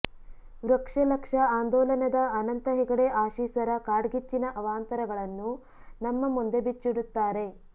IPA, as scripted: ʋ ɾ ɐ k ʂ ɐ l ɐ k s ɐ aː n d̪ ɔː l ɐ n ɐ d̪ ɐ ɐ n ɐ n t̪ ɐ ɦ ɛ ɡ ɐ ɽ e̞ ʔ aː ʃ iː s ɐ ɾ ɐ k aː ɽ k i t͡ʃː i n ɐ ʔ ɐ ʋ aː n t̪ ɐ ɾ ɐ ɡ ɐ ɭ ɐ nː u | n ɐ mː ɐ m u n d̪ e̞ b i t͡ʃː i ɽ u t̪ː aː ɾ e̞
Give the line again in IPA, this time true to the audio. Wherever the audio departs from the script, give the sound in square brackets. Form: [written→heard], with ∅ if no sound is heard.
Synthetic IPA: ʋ ɾ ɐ k ʂ ɐ l ɐ k [s→ʂ] ɐ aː n d̪ ɔː l ɐ n ɐ d̪ ɐ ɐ n ɐ n t̪ ɐ ɦ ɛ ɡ ɐ ɽ e̞ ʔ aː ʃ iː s ɐ ɾ ɐ k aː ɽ [k→ɡ] i t͡ʃː i n ɐ ʔ ɐ ʋ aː n t̪ ɐ ɾ ɐ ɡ ɐ ɭ ɐ nː u | n ɐ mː ɐ m u n d̪ e̞ b i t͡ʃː i ɽ u t̪ː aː ɾ e̞